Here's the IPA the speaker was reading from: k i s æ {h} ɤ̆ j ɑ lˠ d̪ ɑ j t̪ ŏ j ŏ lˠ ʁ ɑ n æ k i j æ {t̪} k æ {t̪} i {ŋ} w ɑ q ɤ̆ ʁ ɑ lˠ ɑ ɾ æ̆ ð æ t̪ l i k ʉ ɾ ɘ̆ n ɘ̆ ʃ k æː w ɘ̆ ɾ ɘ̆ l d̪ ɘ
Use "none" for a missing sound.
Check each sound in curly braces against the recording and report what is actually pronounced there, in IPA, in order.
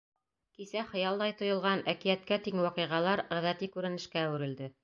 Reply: χ, t̪, t̪, ŋ

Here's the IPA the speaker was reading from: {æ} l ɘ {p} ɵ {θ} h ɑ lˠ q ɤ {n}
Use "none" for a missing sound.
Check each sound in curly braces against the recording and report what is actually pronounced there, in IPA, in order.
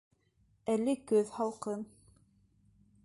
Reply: æ, k, ð, n

